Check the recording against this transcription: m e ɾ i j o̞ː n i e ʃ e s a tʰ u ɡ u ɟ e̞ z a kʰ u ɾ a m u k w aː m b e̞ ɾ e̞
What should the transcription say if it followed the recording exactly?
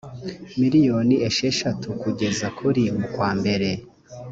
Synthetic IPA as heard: m i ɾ i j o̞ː n i e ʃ e ʃ a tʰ u k u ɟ e̞ z a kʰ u ɾ i m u k w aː m b e̞ ɾ e̞